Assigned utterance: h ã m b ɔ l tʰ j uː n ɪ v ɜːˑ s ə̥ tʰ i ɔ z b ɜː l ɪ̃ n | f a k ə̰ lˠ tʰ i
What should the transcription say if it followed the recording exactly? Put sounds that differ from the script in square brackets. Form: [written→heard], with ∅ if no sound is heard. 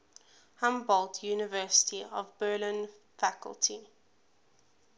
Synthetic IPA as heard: h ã m b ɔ l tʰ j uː n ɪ v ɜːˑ s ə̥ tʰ i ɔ [z→v] b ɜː l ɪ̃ n | f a k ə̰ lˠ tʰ i